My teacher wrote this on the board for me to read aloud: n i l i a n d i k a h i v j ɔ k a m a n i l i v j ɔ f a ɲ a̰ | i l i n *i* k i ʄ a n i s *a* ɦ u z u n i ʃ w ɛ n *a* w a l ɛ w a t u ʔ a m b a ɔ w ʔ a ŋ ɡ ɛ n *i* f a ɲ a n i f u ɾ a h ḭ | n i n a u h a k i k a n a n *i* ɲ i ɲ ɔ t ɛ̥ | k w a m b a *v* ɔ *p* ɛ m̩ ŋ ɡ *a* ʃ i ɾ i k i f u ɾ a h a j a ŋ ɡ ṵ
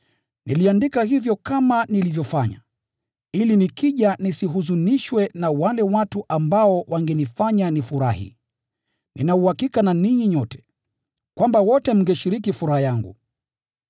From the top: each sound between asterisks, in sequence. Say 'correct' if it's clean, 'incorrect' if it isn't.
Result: correct, incorrect, correct, correct, correct, incorrect, incorrect, incorrect

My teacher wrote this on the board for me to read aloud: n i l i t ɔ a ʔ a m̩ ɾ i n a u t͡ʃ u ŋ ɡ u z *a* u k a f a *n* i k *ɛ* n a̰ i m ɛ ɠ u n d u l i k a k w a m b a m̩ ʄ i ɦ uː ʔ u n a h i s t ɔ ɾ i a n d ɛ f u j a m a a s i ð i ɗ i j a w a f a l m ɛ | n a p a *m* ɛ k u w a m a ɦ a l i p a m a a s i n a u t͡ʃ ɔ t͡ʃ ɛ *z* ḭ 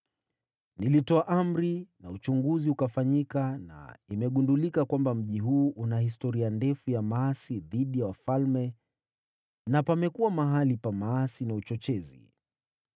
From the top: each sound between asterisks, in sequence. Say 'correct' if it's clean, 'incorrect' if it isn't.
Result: incorrect, incorrect, incorrect, correct, correct

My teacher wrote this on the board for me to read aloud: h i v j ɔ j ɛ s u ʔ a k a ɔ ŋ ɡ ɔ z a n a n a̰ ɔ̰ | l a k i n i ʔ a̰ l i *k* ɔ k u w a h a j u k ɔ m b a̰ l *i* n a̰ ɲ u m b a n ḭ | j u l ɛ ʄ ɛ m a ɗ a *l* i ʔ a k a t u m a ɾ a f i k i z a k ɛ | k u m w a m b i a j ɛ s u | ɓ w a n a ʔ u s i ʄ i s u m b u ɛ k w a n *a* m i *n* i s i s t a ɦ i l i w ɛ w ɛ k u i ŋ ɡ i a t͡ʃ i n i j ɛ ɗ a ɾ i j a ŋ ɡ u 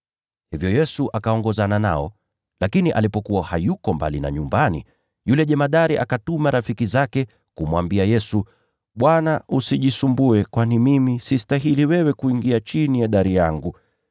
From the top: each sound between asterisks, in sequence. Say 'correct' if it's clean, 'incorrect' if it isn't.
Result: incorrect, correct, incorrect, incorrect, incorrect

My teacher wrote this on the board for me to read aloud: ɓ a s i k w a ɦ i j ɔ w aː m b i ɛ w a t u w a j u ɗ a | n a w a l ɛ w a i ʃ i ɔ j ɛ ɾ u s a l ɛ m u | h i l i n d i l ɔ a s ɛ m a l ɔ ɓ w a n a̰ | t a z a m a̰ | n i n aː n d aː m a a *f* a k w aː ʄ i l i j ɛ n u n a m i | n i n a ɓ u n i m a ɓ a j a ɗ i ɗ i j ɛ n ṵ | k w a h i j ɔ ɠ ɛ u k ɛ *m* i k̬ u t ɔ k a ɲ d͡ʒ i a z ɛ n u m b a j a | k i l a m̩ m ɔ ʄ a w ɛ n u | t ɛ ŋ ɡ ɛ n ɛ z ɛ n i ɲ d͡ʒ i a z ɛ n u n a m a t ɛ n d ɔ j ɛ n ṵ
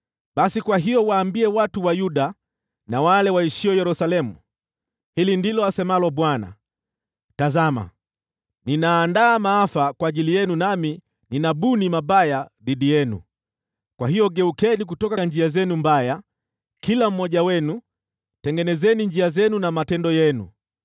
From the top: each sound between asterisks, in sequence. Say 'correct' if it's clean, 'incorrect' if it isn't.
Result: correct, incorrect

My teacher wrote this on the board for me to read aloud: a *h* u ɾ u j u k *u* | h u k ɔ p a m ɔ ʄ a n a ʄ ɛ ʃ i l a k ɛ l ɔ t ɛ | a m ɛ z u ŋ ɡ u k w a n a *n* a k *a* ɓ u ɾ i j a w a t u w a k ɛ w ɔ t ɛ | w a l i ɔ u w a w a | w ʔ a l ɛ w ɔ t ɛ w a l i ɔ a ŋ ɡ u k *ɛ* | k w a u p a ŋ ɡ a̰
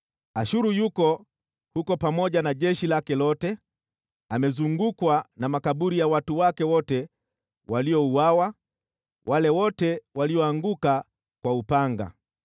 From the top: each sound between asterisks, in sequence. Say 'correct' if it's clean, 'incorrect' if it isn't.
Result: incorrect, incorrect, incorrect, correct, incorrect

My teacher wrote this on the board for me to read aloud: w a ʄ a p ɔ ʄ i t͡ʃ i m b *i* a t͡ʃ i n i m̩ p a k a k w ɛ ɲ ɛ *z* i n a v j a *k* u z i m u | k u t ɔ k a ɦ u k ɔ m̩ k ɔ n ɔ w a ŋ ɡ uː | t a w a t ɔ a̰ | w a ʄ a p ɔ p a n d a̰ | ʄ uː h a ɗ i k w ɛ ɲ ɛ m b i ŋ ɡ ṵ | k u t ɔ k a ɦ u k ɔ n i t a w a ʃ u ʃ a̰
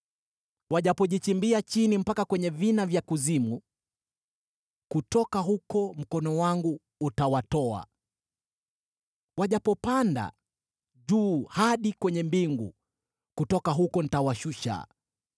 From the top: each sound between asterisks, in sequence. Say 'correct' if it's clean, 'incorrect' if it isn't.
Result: correct, incorrect, correct

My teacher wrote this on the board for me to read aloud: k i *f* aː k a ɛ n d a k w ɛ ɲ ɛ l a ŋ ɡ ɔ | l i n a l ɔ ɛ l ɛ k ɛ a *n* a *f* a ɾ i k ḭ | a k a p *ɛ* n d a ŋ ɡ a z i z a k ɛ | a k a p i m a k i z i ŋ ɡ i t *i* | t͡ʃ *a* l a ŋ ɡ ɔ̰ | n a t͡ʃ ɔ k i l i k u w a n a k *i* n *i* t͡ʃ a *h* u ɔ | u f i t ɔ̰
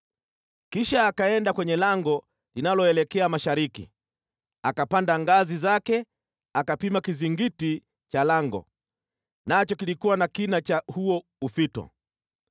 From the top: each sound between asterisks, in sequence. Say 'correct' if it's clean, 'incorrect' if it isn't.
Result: incorrect, incorrect, incorrect, incorrect, correct, correct, correct, incorrect, correct

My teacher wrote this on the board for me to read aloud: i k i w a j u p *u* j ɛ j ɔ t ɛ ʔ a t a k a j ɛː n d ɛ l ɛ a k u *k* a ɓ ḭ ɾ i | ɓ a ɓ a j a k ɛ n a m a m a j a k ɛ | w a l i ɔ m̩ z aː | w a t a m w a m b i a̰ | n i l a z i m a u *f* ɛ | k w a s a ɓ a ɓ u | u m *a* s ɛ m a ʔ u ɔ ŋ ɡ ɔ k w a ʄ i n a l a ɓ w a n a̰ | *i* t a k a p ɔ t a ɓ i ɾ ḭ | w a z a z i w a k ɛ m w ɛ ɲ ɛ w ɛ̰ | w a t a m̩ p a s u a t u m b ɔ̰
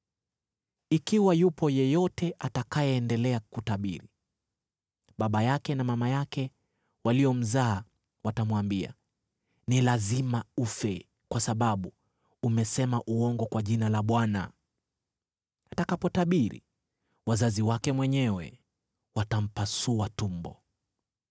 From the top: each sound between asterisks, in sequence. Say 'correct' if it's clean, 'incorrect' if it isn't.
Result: incorrect, incorrect, correct, incorrect, incorrect

